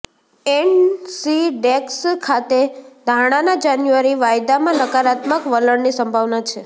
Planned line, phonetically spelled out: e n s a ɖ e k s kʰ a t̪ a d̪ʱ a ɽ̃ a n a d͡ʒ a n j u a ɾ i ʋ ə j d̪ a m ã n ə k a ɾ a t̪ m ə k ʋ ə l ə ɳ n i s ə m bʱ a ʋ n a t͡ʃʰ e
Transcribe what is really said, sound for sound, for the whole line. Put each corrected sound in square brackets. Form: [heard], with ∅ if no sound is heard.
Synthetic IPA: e n s [i] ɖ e k s kʰ a t̪ [e] d̪ʱ a ɽ̃ a n a d͡ʒ a n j u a ɾ i ʋ [a] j d̪ a m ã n ə k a ɾ a t̪ m ə k ʋ ə l ə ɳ n i s ə m bʱ a ʋ n a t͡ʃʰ e